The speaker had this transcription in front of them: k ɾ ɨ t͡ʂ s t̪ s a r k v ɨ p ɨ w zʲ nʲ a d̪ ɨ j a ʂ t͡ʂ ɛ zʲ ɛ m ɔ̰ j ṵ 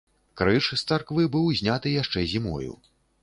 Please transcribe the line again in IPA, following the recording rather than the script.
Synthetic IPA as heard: k ɾ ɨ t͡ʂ s t̪ s a r k v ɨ b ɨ w zʲ nʲ a t̪ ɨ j a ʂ t͡ʂ ɛ zʲ i m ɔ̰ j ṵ